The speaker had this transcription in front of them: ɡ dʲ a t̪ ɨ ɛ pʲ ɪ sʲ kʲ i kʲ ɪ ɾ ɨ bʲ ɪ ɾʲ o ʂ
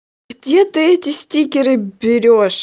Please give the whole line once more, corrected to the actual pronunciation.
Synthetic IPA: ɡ dʲ e t̪ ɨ ɛ tʲ ɪ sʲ tʲ i kʲ ɪ ɾ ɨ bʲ ɪ ɾʲ o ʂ